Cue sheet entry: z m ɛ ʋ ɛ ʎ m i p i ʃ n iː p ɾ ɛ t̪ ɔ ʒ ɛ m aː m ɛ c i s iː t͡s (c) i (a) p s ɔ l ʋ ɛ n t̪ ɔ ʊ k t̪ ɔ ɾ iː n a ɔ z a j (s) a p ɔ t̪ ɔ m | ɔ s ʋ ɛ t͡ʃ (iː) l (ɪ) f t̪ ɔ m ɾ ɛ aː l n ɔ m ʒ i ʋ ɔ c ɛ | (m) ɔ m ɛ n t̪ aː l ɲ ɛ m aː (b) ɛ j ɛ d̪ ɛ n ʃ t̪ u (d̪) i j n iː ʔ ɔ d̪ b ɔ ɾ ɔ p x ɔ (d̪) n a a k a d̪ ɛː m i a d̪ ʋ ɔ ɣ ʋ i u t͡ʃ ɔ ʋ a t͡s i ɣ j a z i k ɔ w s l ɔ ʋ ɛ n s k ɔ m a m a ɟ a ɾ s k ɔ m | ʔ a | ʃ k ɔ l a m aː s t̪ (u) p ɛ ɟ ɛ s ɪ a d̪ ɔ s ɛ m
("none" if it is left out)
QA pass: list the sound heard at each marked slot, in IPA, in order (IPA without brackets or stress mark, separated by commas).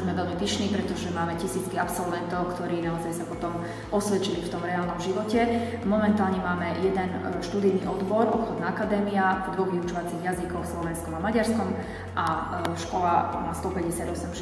k, a, s, i, i, m, m, d̪, d̪, ɔ